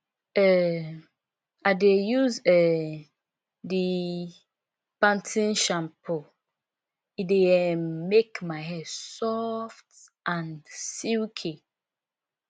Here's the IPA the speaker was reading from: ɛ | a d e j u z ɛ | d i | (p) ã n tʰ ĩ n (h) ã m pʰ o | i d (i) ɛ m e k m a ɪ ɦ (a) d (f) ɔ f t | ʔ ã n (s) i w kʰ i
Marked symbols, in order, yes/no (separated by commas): yes, no, no, no, no, yes